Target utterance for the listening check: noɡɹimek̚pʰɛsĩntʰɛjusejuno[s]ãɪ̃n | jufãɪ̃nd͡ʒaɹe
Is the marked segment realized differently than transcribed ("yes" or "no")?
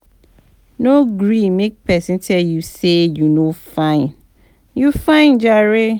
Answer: yes